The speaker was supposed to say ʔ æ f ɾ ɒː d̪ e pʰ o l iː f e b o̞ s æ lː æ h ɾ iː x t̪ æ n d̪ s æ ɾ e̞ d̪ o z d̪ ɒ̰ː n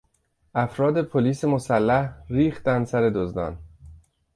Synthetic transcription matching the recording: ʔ æ f ɾ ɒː d̪ e pʰ o l iː s e m o̞ s æ lː æ h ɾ iː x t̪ æ n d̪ s æ ɾ e̞ d̪ o z d̪ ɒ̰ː n

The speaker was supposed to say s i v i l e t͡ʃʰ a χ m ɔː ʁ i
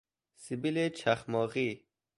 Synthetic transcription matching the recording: s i b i l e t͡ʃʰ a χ m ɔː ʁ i

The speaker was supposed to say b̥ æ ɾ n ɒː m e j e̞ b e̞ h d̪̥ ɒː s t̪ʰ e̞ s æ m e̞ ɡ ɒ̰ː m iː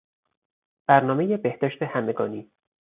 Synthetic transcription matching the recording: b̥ æ ɾ n ɒː m e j e̞ b e̞ h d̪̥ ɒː ʃ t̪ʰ e̞ h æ m e̞ ɡ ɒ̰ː n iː

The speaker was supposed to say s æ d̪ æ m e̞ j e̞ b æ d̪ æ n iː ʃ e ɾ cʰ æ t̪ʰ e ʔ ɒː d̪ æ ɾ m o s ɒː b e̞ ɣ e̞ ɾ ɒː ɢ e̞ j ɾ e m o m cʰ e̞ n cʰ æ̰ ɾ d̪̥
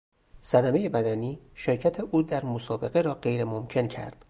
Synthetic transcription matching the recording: s æ d̪ æ m e̞ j e̞ b æ d̪ æ n iː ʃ e ɾ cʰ æ t̪ʰ e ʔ uː d̪ æ ɾ m o s ɒː b e̞ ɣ e̞ ɾ ɒː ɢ e̞ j ɾ e m o m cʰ e̞ n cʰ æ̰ ɾ d̪̥

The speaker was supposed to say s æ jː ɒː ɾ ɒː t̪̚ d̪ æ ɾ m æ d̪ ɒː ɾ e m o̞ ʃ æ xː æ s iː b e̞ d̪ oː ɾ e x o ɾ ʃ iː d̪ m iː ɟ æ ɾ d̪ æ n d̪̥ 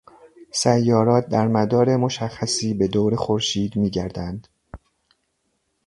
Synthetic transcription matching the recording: s æ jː ɒː ɾ ɒː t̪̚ d̪ æ ɾ m æ d̪ ɒː ɾ e m o̞ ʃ æ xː æ s iː b e̞ d̪ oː ɾ e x o ɾ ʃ iː d̪ m iː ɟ æ ɾ d̪ æ n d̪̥

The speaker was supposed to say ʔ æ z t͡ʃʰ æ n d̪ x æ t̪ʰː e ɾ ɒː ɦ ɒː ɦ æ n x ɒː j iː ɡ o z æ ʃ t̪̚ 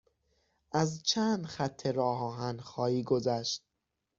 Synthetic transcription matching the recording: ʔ æ z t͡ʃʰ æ n d̪ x æ t̪ʰː e ɾ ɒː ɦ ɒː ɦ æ n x ɒː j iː ɡ o z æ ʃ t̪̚

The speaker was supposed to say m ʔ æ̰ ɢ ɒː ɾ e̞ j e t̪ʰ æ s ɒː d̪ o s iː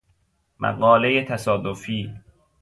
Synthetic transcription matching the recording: m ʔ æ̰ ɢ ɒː l e̞ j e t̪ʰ æ s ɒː d̪ o f iː

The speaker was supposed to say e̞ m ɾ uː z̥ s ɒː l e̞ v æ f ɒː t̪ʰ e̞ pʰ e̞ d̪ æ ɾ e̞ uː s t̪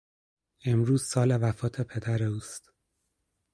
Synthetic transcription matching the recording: e̞ m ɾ uː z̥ s ɒː l e̞ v æ f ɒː t̪ʰ e̞ pʰ e̞ d̪ æ ɾ e̞ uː s t̪

